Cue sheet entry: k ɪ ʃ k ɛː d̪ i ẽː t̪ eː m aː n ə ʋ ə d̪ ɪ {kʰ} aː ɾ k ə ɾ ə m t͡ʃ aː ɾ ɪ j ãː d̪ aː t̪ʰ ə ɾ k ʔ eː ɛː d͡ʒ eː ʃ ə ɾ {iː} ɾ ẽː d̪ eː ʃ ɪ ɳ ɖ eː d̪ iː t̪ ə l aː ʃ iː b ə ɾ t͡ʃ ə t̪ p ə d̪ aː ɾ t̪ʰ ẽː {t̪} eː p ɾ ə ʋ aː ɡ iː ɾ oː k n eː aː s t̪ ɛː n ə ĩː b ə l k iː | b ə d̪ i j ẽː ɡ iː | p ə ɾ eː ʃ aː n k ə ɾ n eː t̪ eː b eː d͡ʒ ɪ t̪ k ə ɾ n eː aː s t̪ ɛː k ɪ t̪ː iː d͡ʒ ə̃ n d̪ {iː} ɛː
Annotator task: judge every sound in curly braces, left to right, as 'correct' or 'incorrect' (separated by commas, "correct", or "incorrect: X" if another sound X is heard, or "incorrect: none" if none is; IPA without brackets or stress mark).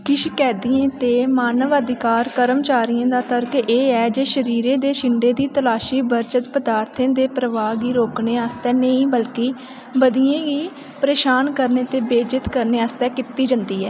incorrect: k, correct, incorrect: d̪, correct